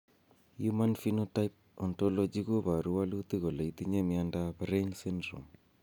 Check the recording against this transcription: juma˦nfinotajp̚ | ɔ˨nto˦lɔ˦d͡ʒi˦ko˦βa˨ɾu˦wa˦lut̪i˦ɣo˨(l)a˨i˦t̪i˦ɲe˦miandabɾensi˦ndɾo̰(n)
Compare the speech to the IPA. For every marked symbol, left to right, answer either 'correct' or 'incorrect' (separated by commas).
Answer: correct, incorrect